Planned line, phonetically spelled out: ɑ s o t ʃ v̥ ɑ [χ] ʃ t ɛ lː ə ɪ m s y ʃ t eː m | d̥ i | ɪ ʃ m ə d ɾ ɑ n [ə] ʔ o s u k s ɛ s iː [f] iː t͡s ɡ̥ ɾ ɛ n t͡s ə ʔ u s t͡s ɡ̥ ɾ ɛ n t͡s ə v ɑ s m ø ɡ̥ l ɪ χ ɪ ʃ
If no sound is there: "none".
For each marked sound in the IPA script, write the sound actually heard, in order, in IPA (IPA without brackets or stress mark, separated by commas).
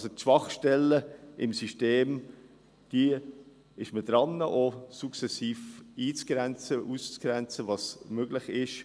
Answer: χ, ə, f